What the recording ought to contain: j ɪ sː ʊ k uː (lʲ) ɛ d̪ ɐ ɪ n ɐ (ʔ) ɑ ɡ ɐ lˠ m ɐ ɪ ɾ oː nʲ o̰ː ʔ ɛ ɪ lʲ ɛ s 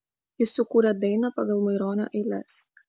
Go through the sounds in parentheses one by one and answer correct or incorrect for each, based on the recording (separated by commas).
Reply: incorrect, incorrect